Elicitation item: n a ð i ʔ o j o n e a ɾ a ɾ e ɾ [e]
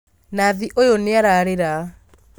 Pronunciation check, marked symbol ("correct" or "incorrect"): incorrect